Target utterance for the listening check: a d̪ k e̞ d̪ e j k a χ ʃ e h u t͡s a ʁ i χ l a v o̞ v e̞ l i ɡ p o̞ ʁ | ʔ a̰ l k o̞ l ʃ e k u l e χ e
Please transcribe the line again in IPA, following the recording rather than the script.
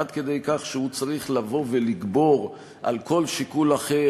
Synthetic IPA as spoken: a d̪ k e̞ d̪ e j k a χ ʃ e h u t͡s a ʁ i χ l a v o̞ v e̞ l i ɡ b o̞ ʁ | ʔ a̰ l k o̞ l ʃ i k u l a χ e